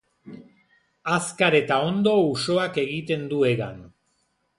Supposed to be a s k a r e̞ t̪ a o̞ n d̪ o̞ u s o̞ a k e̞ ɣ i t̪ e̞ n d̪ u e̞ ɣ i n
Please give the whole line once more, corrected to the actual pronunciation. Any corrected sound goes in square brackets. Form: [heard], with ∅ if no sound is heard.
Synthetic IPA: a s k a [ɾ] e̞ t̪ a o̞ n d̪ o̞ u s o̞ a k e̞ ɣ i t̪ e̞ n d̪ u e̞ ɣ [a] n